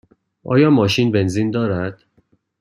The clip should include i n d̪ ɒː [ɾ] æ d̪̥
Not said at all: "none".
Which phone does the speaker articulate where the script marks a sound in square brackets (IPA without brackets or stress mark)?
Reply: ɾ